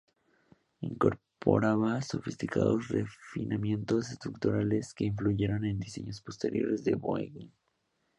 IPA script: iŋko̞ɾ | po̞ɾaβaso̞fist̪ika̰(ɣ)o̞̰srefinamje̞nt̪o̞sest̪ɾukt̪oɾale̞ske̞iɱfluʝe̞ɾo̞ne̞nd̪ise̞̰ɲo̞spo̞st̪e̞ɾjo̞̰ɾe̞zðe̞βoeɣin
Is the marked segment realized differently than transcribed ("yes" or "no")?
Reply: yes